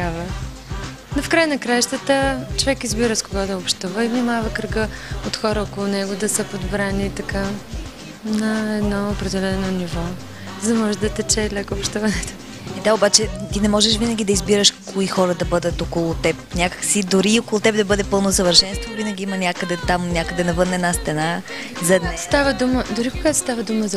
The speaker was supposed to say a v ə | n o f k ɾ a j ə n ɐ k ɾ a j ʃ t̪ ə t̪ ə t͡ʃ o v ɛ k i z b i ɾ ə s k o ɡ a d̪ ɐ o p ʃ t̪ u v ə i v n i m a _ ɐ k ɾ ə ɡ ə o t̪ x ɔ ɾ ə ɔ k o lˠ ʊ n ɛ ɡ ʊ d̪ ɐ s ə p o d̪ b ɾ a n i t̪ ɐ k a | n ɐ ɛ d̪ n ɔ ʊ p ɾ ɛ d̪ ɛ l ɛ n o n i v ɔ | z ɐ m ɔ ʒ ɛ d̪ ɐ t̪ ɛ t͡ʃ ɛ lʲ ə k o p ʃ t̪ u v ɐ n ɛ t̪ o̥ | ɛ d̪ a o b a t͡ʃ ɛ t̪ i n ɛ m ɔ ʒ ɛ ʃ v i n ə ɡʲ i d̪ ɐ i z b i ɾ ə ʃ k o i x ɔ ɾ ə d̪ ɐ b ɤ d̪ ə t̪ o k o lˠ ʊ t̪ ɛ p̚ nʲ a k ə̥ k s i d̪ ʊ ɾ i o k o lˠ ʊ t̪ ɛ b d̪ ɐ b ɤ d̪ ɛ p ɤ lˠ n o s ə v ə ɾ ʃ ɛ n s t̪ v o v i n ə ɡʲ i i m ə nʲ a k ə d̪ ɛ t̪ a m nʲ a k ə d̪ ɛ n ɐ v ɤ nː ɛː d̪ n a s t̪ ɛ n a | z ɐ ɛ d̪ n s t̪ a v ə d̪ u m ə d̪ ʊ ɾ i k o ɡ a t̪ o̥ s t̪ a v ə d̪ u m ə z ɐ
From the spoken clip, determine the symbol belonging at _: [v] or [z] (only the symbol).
v